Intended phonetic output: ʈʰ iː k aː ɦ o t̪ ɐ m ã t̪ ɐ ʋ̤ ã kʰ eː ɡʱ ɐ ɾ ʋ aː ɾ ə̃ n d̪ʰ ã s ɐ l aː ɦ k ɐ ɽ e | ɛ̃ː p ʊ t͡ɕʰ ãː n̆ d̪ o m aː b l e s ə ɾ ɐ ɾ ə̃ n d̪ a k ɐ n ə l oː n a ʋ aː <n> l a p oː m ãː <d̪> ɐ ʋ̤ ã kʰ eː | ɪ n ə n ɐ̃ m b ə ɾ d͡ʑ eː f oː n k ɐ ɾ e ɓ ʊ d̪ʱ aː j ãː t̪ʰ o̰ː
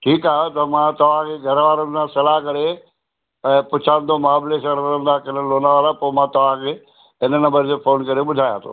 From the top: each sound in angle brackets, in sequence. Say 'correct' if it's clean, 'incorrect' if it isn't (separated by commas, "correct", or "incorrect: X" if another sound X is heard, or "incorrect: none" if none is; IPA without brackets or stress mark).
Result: incorrect: none, incorrect: t̪